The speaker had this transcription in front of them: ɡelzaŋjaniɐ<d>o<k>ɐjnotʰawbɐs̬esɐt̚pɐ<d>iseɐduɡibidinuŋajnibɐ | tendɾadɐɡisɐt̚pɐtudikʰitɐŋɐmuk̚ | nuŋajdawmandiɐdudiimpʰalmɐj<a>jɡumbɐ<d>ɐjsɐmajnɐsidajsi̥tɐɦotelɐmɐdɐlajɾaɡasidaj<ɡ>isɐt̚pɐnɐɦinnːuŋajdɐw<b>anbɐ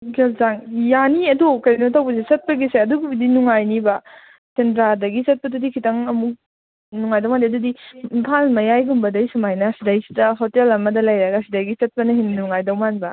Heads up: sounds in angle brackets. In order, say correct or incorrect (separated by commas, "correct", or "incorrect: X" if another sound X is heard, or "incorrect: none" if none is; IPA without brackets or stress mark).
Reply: correct, correct, incorrect: ɡ, correct, correct, correct, incorrect: m